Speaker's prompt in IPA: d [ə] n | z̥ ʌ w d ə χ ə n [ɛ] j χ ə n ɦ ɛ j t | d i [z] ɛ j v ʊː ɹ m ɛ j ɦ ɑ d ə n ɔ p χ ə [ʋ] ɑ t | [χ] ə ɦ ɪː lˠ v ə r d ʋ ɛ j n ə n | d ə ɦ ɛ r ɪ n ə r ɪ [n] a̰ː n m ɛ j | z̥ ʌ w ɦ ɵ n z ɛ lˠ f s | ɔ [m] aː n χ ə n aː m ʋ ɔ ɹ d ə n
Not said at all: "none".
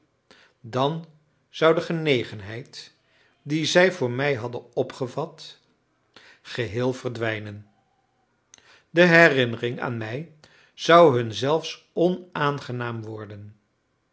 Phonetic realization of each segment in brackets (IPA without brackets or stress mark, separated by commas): ɑ, e, z, v, χ, ŋ, n